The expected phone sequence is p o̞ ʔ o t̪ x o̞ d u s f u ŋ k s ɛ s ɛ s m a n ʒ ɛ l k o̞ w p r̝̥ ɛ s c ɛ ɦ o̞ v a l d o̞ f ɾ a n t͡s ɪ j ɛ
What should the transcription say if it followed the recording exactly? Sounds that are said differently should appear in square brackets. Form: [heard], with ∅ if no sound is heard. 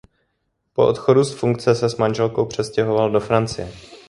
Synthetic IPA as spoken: p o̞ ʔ o t̪ x o̞ d u s f u ŋ k [t͡s] ɛ s ɛ s m a n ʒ ɛ l k o̞ w p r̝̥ ɛ s c ɛ ɦ o̞ v a l d o̞ f ɾ a n t͡s ɪ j ɛ

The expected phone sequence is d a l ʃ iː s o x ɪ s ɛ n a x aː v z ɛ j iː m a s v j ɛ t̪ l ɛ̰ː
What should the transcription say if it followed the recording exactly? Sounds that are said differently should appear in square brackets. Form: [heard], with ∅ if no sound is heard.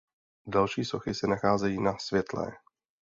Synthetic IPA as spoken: d a l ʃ iː s o x ɪ s ɛ n a x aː [∅] z ɛ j iː [n] a s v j ɛ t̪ l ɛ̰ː

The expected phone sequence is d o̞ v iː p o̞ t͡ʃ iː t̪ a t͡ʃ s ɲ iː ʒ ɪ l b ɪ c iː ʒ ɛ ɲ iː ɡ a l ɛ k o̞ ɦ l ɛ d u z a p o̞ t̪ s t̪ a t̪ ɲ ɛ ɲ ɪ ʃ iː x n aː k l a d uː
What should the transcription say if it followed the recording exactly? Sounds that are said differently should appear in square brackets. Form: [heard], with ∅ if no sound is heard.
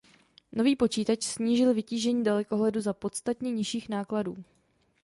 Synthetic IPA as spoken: [n] o̞ v iː p o̞ t͡ʃ iː t̪ a t͡ʃ s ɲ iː ʒ ɪ l [v] ɪ c iː ʒ ɛ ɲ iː [d] a l ɛ k o̞ ɦ l ɛ d u z a p o̞ t̪ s t̪ a t̪ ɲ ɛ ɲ ɪ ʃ iː x n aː k l a d uː

